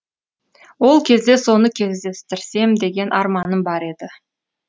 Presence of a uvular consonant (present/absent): absent